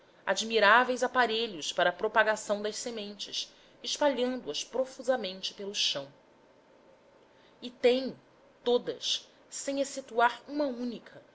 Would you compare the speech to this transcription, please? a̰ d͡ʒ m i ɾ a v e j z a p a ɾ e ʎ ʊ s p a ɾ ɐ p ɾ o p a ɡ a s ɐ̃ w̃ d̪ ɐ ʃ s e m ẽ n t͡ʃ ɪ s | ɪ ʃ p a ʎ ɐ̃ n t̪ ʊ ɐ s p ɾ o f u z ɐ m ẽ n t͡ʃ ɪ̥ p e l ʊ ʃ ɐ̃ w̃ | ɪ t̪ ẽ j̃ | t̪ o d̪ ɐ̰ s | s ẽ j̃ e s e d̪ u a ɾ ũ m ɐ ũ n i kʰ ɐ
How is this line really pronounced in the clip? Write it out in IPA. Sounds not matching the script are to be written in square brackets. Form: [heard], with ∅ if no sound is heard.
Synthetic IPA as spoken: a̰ d͡ʒ m i ɾ a v e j z a p a ɾ e ʎ ʊ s p a ɾ ɐ p ɾ o p a ɡ a s ɐ̃ w̃ d̪ ɐ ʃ s e m ẽ n t͡ʃ ɪ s | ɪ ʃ p a ʎ ɐ̃ n [d̪] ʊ ɐ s p ɾ o f u z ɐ m ẽ n t͡ʃ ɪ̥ p e l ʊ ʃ ɐ̃ w̃ | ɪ t̪ ẽ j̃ | t̪ o d̪ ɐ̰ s | s ẽ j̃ e s e [t̪] u a ɾ ũ m ɐ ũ n i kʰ ɐ

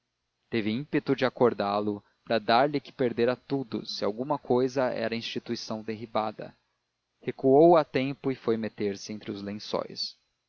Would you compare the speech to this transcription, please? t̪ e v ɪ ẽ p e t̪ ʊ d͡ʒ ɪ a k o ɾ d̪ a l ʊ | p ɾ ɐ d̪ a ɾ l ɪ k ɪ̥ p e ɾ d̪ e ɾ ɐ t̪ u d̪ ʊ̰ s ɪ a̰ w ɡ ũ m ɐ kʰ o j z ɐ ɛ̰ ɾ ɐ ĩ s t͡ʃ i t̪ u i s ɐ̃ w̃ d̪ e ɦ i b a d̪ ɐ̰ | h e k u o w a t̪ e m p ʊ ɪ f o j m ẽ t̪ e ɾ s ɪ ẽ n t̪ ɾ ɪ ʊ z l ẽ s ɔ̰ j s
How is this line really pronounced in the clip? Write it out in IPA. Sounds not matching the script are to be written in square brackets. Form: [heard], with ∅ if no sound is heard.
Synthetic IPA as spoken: t̪ e v ɪ [ĩ] p e t̪ ʊ d͡ʒ ɪ a k o ɾ d̪ a l ʊ | p ɾ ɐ d̪ a ɾ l ɪ k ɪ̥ p e ɾ d̪ e ɾ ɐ t̪ u d̪ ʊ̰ s ɪ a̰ w ɡ ũ m ɐ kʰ o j z ɐ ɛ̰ ɾ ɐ ĩ s t͡ʃ i t̪ u i s ɐ̃ w̃ d̪ e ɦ i b a d̪ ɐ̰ | h e k u o w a t̪ [ẽ] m p ʊ ɪ f o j m [e] t̪ e ɾ s ɪ ẽ n t̪ ɾ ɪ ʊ z l ẽ s ɔ̰ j s

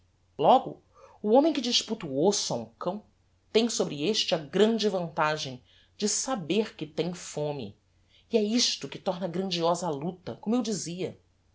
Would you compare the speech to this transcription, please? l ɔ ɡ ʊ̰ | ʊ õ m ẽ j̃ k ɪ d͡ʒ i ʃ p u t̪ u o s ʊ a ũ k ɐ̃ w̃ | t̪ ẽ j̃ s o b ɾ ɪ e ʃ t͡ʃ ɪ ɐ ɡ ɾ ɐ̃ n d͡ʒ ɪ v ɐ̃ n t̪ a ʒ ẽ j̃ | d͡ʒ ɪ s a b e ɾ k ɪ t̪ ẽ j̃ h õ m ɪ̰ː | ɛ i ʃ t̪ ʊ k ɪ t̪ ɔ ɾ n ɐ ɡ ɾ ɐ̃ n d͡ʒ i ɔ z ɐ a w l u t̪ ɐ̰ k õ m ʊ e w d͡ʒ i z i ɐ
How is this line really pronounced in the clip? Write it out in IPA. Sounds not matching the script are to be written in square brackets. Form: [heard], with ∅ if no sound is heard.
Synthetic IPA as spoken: l ɔ ɡ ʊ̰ | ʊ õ m ẽ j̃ k ɪ d͡ʒ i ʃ p u t̪ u o s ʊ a ũ k ɐ̃ w̃ | t̪ ẽ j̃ s o b ɾ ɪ e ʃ t͡ʃ ɪ ɐ ɡ ɾ ɐ̃ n d͡ʒ ɪ v ɐ̃ n t̪ a ʒ ẽ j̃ | d͡ʒ ɪ s a b e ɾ k ɪ t̪ ẽ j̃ [f] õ m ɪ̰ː | ɛ i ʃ t̪ ʊ k ɪ t̪ ɔ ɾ n ɐ ɡ ɾ ɐ̃ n d͡ʒ i ɔ z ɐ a [∅] l u t̪ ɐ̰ k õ m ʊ e w d͡ʒ i z i ɐ

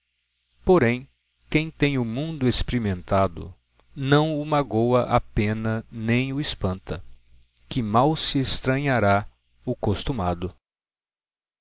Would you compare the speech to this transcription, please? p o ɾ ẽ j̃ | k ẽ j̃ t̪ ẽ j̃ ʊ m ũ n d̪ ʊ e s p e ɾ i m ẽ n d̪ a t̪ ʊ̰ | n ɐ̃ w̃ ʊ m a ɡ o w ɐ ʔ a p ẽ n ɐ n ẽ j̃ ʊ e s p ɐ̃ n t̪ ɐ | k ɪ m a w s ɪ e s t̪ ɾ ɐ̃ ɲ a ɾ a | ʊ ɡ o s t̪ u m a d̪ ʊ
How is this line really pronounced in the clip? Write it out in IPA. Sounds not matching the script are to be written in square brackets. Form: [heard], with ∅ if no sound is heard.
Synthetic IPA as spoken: p o ɾ ẽ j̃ | k ẽ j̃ t̪ ẽ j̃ ʊ m ũ n d̪ ʊ e s p e ɾ i m ẽ n [t̪] a [d̪] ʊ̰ | n ɐ̃ w̃ ʊ m a ɡ o w ɐ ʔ a p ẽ n ɐ n ẽ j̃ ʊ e s p ɐ̃ n t̪ ɐ | k ɪ m a w s ɪ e s t̪ ɾ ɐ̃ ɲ a ɾ a | ʊ [k] o s t̪ u m a d̪ ʊ

